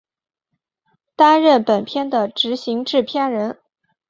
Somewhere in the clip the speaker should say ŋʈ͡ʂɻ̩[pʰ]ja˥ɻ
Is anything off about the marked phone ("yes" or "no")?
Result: no